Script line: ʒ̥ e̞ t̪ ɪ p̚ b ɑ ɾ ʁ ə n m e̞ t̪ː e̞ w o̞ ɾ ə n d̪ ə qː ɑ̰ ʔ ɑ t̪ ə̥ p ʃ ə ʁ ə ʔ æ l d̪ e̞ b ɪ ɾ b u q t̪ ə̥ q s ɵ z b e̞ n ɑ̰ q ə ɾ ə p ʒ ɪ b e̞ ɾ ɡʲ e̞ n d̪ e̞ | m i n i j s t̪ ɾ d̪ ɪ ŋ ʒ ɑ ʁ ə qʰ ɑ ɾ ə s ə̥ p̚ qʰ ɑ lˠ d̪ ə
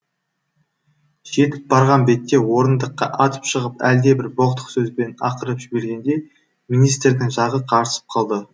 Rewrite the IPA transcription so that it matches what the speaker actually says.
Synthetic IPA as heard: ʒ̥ e̞ t̪ ɪ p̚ b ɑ ɾ ʁ ɑ n b e̞ t̪ː e̞ w o̞ ɾ ə n d̪ ə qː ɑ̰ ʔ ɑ t̪ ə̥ p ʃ ə ʁ ə p æ l d̪ e̞ b ɪ ɾ b o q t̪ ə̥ q s ɵ z b e̞ n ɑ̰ q ə ɾ ə p ʒ ɪ b e̞ ɾ ɡʲ e̞ n d̪ e̞ | m i n i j s t̪ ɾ d̪ ɪ ŋ ʒ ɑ ʁ ə qʰ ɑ ɾ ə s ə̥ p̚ qʰ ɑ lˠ d̪ ə